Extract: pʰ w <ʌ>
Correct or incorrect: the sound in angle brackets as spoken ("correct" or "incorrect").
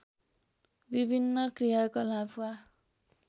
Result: incorrect